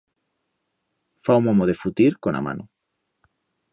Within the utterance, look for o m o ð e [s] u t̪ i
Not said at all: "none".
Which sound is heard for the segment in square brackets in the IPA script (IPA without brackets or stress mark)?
f